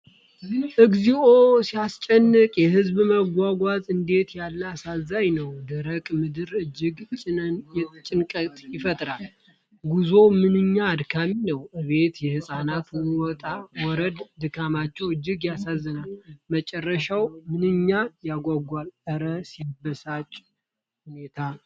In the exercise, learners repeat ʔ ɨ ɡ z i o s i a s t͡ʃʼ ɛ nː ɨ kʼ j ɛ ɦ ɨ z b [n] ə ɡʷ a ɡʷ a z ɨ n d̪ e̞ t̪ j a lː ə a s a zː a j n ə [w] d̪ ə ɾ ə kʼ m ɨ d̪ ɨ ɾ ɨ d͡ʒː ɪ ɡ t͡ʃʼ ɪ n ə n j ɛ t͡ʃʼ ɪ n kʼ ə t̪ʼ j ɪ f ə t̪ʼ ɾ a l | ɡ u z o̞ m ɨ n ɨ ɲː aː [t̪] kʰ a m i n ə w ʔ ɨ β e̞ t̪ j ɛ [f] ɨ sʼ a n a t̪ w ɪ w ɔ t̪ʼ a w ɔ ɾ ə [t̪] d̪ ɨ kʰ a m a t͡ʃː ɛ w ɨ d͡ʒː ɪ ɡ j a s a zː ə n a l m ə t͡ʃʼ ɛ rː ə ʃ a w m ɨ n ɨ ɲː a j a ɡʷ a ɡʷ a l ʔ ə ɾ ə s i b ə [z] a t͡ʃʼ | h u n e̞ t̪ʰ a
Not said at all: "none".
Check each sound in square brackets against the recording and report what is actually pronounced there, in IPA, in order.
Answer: m, w, d̪, h, d̪, s

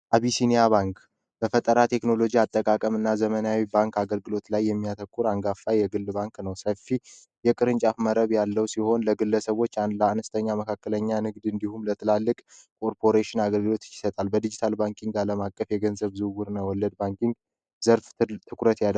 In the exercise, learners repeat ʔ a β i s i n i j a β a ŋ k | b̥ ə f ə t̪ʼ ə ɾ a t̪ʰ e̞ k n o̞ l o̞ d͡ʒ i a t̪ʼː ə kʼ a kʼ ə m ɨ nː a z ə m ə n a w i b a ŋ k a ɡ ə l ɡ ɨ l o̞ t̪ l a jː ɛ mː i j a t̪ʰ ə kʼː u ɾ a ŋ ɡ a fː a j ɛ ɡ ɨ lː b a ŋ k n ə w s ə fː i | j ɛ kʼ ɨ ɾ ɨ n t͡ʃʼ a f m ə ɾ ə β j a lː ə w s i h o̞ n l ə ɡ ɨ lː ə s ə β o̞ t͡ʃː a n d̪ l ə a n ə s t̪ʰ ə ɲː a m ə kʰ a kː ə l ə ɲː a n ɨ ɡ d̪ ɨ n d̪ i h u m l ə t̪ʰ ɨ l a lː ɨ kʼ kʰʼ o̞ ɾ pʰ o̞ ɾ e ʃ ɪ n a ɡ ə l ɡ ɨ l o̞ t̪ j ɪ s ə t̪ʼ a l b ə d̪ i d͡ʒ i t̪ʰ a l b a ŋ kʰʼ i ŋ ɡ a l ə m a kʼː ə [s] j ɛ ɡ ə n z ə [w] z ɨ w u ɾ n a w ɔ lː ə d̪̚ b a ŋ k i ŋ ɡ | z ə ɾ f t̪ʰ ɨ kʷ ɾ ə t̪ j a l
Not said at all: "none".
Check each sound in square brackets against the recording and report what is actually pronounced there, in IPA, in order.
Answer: f, β

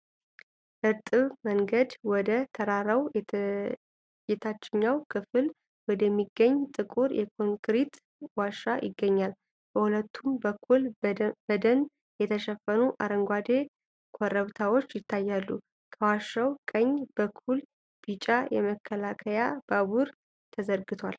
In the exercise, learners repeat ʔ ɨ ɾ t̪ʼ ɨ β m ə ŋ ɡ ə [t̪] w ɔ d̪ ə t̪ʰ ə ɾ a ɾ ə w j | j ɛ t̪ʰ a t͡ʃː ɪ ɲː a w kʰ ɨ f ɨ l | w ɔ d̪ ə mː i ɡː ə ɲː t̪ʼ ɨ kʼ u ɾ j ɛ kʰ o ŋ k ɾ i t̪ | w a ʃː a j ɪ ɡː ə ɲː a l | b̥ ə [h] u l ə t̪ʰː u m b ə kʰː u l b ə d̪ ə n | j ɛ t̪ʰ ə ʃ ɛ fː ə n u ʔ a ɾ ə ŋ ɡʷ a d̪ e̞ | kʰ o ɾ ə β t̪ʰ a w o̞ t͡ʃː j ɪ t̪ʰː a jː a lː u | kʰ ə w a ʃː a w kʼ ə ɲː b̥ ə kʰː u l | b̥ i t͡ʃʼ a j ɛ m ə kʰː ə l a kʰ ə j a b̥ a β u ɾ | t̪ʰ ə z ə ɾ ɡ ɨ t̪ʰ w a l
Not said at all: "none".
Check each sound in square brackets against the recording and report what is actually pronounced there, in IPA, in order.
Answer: d̪, h

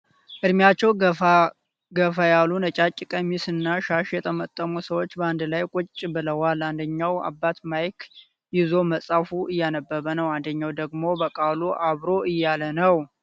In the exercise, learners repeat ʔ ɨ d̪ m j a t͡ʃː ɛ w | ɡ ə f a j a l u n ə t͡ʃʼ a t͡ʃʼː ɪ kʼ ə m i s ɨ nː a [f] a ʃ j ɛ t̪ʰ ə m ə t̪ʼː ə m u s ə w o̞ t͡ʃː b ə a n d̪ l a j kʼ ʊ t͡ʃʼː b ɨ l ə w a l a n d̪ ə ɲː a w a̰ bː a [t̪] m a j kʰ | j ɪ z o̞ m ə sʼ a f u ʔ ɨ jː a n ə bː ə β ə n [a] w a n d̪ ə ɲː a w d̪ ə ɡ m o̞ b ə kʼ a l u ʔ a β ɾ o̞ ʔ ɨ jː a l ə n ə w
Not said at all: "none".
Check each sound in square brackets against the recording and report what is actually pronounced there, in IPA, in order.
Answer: ʃ, t̪, ə

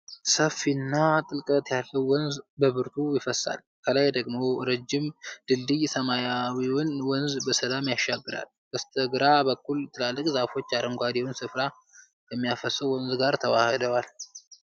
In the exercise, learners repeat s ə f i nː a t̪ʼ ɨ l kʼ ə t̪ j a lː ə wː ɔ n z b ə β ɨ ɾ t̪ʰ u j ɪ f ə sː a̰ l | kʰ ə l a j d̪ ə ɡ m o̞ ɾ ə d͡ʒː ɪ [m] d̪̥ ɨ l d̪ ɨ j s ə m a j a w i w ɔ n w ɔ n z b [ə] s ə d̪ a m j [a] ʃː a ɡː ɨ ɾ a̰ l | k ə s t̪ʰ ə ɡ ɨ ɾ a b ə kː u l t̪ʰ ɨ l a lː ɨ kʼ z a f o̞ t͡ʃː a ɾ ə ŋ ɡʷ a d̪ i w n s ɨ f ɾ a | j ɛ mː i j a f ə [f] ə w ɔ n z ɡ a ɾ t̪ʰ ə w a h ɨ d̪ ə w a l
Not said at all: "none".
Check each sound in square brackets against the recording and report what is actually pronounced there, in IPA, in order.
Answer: m, ə, a, s

